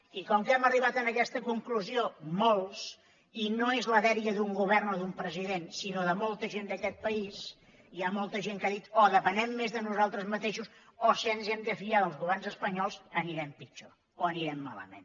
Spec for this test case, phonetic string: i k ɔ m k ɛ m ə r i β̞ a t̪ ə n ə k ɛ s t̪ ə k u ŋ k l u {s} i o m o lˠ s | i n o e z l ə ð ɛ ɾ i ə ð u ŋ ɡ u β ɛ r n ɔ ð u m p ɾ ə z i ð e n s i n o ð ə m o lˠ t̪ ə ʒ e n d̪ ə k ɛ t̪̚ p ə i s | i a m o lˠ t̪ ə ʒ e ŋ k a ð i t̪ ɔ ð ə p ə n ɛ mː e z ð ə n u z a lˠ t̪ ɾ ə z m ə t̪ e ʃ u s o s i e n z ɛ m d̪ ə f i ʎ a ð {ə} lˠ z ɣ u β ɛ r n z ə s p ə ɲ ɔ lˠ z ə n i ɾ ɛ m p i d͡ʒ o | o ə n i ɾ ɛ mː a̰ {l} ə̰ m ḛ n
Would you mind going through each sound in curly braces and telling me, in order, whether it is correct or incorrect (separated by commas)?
incorrect, correct, correct